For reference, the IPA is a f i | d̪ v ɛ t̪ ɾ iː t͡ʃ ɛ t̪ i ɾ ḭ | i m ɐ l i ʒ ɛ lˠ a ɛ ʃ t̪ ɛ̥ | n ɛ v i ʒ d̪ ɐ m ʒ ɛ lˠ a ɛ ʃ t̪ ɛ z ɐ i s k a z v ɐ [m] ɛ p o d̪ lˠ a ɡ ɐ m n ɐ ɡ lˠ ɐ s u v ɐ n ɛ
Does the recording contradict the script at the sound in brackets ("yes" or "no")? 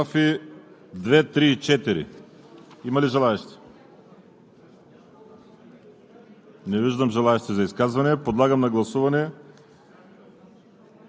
yes